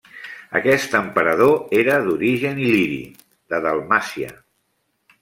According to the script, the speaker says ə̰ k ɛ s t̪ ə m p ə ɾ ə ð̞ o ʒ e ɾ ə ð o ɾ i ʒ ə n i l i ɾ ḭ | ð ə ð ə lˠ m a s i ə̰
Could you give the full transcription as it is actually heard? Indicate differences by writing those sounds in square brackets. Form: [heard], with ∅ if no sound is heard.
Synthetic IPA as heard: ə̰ k ɛ s t̪ ə m p ə ɾ ə ð̞ o [∅] e ɾ ə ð [u] ɾ i ʒ ə n i l i ɾ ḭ | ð ə ð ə lˠ m a s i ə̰